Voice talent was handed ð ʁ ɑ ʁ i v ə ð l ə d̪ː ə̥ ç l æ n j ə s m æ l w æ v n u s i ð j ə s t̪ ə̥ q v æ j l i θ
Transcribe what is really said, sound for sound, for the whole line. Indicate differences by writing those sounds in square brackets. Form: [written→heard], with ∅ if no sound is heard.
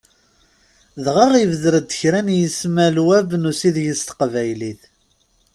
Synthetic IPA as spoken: ð ʁ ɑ ʁ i v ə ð [l→ɾ] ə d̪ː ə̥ ç [l→ɾ] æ n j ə s m æ l w æ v n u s i ð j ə s t̪ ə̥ q v æ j l i θ